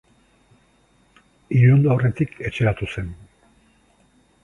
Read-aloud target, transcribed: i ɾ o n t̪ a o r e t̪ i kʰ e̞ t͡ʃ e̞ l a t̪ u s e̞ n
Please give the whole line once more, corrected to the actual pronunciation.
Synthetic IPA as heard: i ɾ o n d̪ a o r e t̪ i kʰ e̞ t͡ʃ e̞ ɾ a t̪ u s e̞ n